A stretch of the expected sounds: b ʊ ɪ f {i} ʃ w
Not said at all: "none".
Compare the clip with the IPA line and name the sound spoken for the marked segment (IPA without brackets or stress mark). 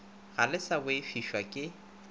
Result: i